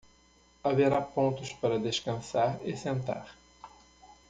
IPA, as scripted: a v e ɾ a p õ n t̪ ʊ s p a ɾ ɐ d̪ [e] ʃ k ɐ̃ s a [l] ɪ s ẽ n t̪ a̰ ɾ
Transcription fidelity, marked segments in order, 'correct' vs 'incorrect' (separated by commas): correct, incorrect